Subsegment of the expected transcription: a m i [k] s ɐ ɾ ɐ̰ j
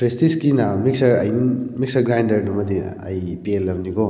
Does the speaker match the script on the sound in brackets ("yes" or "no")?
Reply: yes